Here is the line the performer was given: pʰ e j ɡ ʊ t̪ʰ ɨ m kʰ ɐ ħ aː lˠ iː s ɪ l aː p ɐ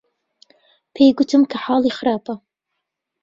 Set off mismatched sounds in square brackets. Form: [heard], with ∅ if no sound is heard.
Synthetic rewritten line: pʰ e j ɡ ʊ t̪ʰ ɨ m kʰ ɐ ħ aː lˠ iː [x] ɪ [ɾ] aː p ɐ